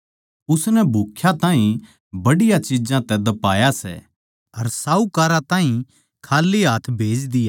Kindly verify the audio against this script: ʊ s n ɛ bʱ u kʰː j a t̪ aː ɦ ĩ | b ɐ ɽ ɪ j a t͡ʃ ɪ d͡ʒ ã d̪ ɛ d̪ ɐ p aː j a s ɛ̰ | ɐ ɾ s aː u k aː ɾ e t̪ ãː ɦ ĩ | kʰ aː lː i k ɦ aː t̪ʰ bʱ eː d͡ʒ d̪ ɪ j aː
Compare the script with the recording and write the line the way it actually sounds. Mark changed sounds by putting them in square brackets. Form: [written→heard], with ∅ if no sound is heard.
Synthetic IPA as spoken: ʊ s n ɛ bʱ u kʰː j a t̪ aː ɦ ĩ | b ɐ ɽ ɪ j a t͡ʃ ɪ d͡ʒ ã [d̪→t̪] ɛ d̪ ɐ p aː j a s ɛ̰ | ɐ ɾ s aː u k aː ɾ [e→a] t̪ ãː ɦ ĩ | kʰ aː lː i [k→∅] ɦ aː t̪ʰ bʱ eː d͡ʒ d̪ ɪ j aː

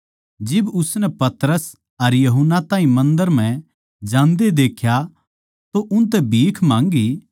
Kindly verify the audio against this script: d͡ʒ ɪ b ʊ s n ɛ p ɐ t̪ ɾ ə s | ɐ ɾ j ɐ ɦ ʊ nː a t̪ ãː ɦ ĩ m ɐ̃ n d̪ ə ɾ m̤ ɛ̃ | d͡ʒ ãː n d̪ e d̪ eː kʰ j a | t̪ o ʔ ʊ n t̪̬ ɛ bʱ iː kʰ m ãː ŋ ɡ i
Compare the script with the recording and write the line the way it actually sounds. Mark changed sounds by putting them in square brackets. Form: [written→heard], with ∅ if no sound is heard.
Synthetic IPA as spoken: d͡ʒ ɪ b ʊ s n ɛ p ɐ t̪ ɾ ə s | ɐ ɾ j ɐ ɦ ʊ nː a t̪ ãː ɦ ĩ m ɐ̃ n d̪ ə ɾ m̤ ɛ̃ | d͡ʒ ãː n d̪ e d̪ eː kʰ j a | t̪ o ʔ ʊ n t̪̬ ɛ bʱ iː kʰ m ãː ŋ ɡ i

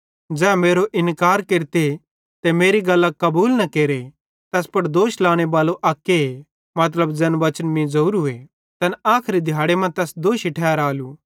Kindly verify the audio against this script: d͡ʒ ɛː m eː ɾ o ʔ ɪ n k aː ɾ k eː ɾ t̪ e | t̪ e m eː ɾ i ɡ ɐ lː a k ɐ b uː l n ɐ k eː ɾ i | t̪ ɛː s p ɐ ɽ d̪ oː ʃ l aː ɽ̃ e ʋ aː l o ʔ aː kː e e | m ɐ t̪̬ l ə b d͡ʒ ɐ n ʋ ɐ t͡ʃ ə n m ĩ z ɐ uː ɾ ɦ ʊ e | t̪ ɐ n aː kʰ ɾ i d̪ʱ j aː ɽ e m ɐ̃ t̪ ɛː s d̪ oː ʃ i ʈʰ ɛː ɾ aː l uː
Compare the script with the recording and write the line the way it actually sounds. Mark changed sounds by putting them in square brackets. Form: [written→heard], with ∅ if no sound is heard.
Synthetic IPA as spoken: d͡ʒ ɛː m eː ɾ o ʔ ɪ n k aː ɾ k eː ɾ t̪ e | t̪ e m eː ɾ i ɡ ɐ lː a k ɐ b uː l n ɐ k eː ɾ [i→e] | t̪ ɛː s p ɐ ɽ d̪ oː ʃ l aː ɽ̃ e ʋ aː l o ʔ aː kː e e | m ɐ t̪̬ l ə b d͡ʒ ɐ n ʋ ɐ t͡ʃ ə n m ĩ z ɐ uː ɾ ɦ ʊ e | t̪ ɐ n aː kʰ ɾ i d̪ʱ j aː ɽ e m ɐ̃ t̪ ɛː s d̪ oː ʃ i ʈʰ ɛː ɾ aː l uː

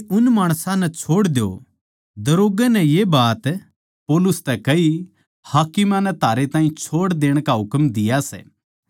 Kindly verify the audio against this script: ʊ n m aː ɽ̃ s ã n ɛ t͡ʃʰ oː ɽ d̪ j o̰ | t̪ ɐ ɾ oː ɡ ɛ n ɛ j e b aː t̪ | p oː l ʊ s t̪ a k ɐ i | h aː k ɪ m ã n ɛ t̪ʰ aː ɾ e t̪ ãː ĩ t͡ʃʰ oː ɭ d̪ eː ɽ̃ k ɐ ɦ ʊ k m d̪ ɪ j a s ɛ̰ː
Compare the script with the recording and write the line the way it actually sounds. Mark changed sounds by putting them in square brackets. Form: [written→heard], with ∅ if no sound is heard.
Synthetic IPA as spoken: ʊ n m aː ɽ̃ s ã n ɛ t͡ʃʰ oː ɽ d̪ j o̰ | [t̪→d̪] ɐ ɾ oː ɡ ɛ n ɛ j e b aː t̪ | p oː l ʊ s t̪ [a→ɛ] k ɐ i | h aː k ɪ m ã n ɛ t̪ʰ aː ɾ e t̪ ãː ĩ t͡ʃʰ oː [ɭ→ɽ] d̪ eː ɽ̃ k [ɐ→a] ɦ ʊ k m d̪ ɪ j a s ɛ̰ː

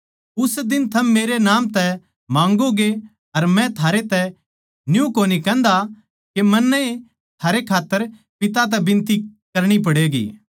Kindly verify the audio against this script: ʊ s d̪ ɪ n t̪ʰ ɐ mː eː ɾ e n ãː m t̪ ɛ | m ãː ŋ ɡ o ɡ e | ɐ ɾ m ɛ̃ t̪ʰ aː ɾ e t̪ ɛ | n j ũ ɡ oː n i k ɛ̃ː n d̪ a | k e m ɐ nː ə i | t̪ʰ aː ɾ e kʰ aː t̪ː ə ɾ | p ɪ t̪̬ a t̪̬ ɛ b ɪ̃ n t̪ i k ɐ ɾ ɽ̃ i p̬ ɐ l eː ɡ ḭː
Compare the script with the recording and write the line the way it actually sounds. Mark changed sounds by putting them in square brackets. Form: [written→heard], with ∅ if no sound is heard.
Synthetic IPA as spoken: ʊ s d̪ ɪ n t̪ʰ ɐ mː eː ɾ e n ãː m t̪ ɛ | m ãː ŋ ɡ o ɡ e | ɐ ɾ m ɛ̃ t̪ʰ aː ɾ e t̪ ɛ | n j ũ [ɡ→k] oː n i k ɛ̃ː n d̪ a | k e m ɐ nː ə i | t̪ʰ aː ɾ e kʰ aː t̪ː ə ɾ | p ɪ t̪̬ a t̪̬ ɛ b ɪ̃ n t̪ i k ɐ ɾ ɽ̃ i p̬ ɐ [l→ɽ] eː ɡ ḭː

